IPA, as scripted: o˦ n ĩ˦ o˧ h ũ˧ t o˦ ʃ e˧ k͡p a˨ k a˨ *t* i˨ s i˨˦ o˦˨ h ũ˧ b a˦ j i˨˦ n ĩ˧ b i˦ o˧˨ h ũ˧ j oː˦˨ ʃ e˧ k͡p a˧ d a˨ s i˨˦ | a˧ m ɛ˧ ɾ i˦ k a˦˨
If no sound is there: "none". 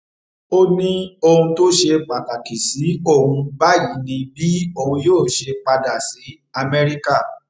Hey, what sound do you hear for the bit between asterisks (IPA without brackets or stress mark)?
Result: k